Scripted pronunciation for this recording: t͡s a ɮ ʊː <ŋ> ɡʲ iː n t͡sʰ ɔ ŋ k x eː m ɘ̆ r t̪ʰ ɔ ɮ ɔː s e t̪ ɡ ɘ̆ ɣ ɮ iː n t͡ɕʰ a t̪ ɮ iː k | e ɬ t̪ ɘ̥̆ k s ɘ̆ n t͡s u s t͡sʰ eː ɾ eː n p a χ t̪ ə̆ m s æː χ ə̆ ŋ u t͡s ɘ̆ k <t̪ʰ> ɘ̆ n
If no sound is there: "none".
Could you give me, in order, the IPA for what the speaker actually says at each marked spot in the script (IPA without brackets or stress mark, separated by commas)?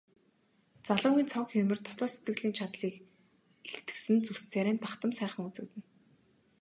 ŋ, t̪